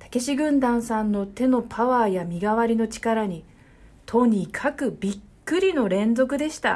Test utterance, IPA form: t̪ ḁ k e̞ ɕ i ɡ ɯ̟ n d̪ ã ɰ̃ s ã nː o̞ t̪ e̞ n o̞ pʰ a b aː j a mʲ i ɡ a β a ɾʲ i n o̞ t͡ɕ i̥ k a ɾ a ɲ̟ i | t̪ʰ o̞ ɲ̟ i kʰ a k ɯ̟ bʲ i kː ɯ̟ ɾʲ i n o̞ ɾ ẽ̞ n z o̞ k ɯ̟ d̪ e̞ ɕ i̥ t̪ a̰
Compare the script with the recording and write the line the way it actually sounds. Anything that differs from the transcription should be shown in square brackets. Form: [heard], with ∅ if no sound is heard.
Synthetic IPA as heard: t̪ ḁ k e̞ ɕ i ɡ [ɯ̟̃] n d̪ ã ɰ̃ s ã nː o̞ t̪ e̞ n o̞ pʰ a [β] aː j a mʲ i ɡ a β a ɾʲ i n o̞ t͡ɕ i̥ k a ɾ a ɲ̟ i | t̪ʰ o̞ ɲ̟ i kʰ a k ɯ̟ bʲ i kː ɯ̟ ɾʲ i n o̞ ɾ ẽ̞ n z o̞ k ɯ̟ d̪ e̞ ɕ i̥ t̪ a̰